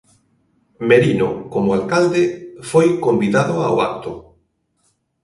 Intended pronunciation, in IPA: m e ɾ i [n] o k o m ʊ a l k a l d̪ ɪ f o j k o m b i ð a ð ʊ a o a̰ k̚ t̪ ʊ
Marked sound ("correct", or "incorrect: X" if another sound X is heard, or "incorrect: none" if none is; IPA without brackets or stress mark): correct